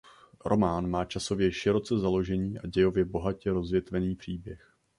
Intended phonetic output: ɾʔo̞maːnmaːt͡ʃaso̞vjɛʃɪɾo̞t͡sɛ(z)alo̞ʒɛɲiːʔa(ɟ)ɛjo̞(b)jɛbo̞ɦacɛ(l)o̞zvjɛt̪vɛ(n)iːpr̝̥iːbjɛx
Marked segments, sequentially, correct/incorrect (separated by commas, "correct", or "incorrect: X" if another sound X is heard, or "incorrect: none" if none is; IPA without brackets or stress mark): correct, correct, incorrect: v, incorrect: ɾ, correct